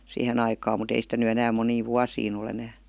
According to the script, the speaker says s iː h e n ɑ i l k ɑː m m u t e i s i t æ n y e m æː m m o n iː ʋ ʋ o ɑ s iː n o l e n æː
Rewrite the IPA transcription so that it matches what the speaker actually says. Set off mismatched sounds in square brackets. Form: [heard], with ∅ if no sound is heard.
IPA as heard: s iː h e n ɑ i [∅] k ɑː m m u t e i s i t æ n y e [n] æː m m o n iː ʋ ʋ [u] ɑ s iː n o l e n æː

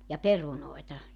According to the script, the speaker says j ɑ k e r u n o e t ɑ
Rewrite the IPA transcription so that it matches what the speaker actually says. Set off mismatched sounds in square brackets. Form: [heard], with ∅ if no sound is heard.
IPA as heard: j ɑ [p] e r u n o e t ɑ

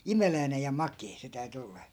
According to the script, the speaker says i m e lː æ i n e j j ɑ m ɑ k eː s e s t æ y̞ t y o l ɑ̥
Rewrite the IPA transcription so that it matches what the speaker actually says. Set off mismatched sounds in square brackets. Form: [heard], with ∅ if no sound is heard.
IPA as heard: i m e [l] æ i n e j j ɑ m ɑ k eː s e [∅] t æ y̞ t y o [lː] ɑ̥

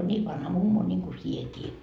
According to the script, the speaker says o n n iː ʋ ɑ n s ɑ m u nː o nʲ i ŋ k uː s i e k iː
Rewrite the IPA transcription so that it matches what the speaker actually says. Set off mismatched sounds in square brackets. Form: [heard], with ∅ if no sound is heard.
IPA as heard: o n n iː ʋ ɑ n [h] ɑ m u [mː] o nʲ i ŋ k [u] s i e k iː

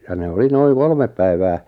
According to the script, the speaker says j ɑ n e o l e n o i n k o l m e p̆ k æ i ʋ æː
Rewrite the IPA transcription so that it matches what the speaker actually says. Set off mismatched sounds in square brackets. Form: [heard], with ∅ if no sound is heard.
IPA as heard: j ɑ n e o l [i] n o i [ŋ] k o l m e p̆ [p] æ i ʋ æː

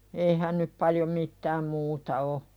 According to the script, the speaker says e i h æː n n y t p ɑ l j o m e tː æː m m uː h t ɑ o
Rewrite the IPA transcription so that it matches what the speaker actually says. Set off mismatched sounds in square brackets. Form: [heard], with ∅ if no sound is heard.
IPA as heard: e i h [æ] n n y [p] p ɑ l j o m [i] tː æː m m uː [∅] t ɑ o

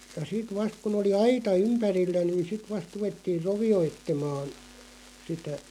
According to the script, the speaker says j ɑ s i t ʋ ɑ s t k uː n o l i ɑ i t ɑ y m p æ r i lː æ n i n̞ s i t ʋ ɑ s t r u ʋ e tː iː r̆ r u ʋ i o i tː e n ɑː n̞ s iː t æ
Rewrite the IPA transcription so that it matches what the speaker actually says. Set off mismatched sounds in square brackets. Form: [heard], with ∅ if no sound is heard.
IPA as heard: j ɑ s i t ʋ ɑ s t k [u] n o l i ɑ i t ɑ y m p æ r i lː æ n i n̞ s i t ʋ ɑ s t r u ʋ e tː iː r̆ r [o] ʋ i o i tː e [m] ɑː n̞ s [i] t æ

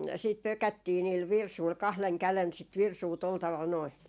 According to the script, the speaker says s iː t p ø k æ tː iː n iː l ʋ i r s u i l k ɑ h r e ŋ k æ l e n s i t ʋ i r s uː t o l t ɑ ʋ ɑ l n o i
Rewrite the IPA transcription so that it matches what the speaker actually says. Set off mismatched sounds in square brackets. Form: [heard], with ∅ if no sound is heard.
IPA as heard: s iː t p ø k æ tː iː n iː l ʋ i r s u i l k ɑ h [l] e ŋ k æ l e n s i t ʋ i r s uː t o l t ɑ ʋ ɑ l n o i

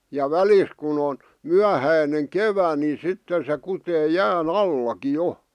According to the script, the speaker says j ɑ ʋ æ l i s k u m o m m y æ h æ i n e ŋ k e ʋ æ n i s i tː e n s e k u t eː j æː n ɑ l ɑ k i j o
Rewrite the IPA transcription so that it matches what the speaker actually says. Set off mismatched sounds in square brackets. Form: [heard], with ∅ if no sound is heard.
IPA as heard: j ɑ ʋ æ l i s k u [n] o [n] m y æ h æ i n e ŋ k e ʋ æ n i s i tː e n s e k u t eː j æː n ɑ [lː] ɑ k i j o

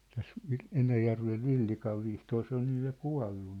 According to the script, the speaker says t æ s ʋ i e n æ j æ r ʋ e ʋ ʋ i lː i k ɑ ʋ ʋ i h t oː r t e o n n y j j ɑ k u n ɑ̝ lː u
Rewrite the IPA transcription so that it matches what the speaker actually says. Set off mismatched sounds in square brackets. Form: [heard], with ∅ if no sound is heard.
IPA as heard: t æ s ʋ i e n æ j æ r ʋ e ʋ ʋ i lː i k ɑ ʋ ʋ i h t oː r [s] e o n n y j j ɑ k u [∅] ɑ̝ lː u

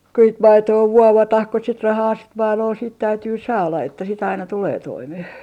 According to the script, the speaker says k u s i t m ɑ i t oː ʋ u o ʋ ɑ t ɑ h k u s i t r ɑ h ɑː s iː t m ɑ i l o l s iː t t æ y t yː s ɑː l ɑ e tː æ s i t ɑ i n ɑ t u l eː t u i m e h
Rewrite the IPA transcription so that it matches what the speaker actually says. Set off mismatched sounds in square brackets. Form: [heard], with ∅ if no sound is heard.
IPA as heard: k u s i t m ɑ i t oː ʋ u o ʋ ɑ t ɑ h k u s i t r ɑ h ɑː s [i] t m ɑ i l o l s iː t t æ y t yː s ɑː l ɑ e tː æ s i t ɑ i n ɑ t u l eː t [o] i m e h

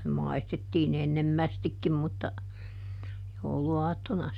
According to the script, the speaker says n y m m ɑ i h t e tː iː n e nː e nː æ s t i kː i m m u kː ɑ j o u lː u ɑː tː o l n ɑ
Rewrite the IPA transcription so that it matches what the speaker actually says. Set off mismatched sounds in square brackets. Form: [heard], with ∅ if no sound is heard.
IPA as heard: n y m m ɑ i [s] t e tː iː n e nː e [mː] æ s t i kː i m m u [tː] ɑ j o u [l] u ɑː tː o [∅] n ɑ

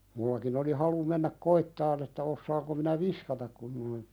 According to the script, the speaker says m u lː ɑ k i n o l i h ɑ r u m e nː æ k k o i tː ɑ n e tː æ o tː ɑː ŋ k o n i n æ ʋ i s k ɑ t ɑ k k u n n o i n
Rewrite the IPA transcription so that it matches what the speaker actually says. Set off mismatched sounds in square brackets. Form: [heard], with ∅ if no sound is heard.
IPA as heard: m u lː ɑ k i n o l i h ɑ [l] u m e nː æ k k o i tː ɑ n e tː æ o [sː] ɑː ŋ k o [m] i n æ ʋ i s k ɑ t ɑ k k u n n o i n

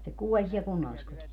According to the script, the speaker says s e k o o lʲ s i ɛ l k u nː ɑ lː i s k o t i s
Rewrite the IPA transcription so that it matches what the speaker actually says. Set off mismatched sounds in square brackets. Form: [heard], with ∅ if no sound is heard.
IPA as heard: s e k [u] o lʲ s i ɛ l k u nː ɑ lː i s k o t i s

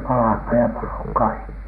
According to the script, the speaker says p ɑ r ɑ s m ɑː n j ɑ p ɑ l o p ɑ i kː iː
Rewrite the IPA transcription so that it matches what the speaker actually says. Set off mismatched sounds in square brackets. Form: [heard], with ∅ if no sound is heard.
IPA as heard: p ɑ [l] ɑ [h] m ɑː n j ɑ p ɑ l o [k] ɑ i kː [i]

